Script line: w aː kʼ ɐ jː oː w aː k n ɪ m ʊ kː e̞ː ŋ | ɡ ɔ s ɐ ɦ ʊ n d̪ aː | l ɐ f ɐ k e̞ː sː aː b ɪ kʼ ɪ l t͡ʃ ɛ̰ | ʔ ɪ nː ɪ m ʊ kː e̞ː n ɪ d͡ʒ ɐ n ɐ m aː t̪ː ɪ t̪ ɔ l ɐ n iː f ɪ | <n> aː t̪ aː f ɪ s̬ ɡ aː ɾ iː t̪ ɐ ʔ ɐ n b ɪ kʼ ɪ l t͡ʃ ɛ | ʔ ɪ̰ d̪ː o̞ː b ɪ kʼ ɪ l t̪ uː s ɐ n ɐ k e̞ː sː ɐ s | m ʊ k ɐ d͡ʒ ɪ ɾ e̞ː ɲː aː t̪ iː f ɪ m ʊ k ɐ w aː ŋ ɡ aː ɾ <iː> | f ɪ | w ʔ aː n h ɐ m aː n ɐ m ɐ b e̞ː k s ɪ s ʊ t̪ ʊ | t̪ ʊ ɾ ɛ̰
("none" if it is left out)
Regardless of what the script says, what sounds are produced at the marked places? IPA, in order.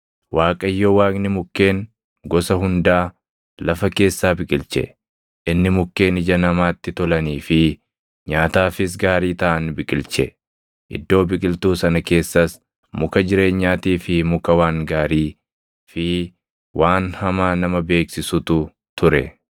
ɲ, iː

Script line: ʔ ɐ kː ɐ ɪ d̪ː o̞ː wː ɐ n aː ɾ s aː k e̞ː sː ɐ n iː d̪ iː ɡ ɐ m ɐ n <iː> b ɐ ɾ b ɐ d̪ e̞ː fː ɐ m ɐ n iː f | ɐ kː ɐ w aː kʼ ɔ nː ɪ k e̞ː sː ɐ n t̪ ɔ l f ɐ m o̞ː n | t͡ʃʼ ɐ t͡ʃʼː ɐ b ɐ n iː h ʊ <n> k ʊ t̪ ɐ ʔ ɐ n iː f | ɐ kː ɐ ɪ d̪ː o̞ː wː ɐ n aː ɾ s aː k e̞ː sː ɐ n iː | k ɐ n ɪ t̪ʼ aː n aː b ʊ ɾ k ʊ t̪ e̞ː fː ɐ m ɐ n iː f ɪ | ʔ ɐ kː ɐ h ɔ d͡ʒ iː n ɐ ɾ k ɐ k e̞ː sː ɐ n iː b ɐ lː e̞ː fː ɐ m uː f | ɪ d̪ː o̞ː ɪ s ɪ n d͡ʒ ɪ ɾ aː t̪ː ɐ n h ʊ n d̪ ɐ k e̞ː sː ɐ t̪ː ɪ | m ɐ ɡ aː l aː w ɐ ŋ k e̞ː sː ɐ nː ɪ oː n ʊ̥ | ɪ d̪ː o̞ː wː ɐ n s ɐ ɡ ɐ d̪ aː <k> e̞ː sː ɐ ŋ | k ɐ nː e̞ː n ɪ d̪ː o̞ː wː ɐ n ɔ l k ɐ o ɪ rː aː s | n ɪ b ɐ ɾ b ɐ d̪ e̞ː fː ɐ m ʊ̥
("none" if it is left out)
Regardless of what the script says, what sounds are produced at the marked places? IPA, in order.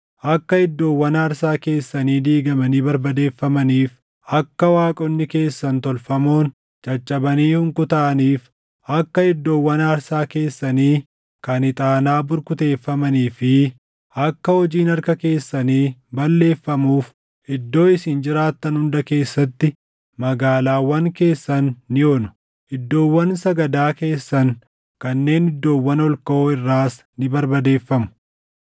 iː, ŋ, k

